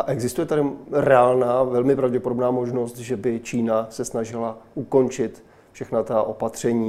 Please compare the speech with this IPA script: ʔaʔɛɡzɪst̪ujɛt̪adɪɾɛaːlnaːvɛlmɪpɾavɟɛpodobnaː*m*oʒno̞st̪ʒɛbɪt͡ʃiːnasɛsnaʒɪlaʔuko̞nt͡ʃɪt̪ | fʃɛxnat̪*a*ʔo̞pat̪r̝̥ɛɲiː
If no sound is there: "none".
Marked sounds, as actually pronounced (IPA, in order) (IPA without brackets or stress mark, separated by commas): m, a